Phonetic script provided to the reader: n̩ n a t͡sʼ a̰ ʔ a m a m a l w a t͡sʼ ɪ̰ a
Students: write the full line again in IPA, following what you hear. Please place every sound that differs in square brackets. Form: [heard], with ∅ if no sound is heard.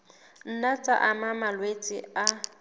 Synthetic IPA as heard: n̩ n a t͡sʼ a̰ ʔ a m a m a l w [e] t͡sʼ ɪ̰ a